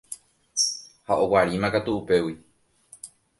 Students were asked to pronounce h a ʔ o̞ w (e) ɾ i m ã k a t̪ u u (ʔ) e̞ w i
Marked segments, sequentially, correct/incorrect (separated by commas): incorrect, incorrect